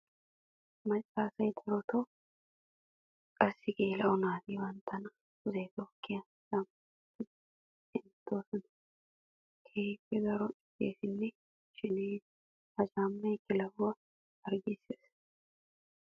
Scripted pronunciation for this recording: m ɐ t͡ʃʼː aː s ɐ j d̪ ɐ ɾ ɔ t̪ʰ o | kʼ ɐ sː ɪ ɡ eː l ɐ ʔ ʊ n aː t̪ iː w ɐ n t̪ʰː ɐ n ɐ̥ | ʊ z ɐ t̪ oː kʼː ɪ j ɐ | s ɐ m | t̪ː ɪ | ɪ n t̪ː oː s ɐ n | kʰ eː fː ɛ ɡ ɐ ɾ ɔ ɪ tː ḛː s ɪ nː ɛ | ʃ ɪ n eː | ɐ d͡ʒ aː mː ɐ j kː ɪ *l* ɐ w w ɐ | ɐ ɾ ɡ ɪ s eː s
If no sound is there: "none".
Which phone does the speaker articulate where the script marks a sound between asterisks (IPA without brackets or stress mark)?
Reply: l